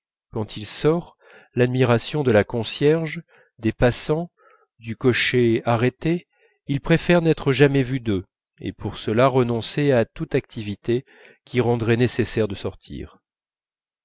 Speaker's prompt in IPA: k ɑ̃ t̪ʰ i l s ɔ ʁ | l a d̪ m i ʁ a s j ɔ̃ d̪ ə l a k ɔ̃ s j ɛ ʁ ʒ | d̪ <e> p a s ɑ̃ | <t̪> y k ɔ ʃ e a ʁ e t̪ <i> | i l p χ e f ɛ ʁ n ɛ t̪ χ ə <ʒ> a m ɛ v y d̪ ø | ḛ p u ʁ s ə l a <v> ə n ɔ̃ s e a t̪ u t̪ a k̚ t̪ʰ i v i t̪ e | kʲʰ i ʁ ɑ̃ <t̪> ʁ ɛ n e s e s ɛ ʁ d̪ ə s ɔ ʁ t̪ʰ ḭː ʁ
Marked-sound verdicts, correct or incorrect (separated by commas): correct, incorrect, incorrect, correct, incorrect, incorrect